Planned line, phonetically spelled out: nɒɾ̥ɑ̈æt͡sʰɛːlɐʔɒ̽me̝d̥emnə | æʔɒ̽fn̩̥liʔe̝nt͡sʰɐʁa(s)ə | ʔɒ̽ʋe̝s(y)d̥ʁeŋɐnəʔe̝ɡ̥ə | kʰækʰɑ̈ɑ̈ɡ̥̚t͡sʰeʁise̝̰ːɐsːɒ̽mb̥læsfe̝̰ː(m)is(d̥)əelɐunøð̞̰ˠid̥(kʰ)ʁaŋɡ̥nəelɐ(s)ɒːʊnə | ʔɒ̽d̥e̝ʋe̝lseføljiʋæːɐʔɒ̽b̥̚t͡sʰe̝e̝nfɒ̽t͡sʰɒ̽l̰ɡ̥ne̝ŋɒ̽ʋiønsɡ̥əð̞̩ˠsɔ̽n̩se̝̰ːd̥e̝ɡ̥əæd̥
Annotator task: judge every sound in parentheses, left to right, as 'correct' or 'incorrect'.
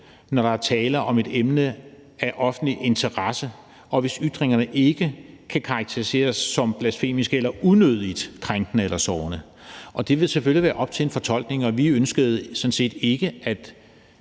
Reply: correct, correct, correct, incorrect: ɡ̥, correct, correct

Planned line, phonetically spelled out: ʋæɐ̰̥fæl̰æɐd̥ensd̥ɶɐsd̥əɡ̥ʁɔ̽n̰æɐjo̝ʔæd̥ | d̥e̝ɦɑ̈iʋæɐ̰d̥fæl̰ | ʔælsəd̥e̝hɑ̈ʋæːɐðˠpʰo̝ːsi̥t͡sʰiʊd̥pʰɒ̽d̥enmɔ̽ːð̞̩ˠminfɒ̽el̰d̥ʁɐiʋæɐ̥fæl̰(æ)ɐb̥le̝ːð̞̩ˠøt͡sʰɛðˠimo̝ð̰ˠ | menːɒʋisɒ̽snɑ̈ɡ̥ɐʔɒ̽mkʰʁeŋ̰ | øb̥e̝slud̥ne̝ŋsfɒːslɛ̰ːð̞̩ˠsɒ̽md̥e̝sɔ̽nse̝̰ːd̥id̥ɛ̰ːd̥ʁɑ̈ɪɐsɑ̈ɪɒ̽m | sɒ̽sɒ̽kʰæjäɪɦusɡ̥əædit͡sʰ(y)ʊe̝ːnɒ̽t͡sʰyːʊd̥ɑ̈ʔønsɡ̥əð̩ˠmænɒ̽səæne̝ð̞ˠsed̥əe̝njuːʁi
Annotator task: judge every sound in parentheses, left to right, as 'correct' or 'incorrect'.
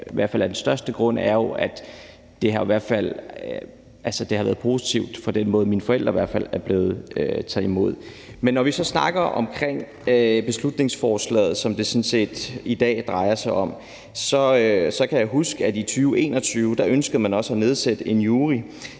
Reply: correct, incorrect: yː

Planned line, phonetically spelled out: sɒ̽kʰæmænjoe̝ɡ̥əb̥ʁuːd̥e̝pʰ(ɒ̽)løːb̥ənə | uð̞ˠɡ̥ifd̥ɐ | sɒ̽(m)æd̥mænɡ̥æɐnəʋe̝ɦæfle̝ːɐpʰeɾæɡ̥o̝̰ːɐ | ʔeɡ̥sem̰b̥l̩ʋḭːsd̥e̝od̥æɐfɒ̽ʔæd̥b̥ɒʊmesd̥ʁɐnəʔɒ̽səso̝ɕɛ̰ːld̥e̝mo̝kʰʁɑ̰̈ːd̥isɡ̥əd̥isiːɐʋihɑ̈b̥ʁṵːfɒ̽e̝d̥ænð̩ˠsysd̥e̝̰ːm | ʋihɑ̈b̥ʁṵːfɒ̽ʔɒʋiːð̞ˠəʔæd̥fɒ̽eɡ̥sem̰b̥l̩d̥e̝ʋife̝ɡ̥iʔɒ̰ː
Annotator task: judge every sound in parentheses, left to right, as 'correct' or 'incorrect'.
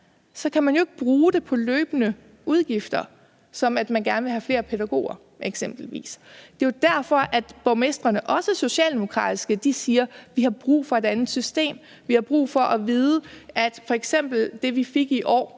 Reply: correct, correct

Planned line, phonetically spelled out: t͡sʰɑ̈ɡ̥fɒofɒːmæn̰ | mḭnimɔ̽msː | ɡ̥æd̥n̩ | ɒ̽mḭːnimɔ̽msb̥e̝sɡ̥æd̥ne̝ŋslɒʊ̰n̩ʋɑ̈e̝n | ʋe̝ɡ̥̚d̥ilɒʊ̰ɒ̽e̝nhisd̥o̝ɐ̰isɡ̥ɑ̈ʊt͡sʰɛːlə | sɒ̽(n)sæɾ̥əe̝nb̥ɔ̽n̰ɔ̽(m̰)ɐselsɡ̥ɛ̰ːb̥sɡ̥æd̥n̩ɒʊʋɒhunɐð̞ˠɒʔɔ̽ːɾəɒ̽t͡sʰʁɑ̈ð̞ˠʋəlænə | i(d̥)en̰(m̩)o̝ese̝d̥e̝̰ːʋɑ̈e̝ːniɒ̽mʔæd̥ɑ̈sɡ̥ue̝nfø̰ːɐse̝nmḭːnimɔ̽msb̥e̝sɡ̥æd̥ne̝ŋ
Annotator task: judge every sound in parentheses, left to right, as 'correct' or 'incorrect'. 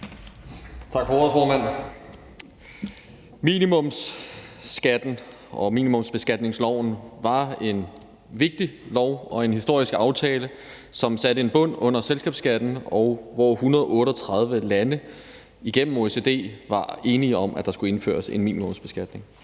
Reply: incorrect: m, incorrect: n̰, incorrect: ɡ̥, correct

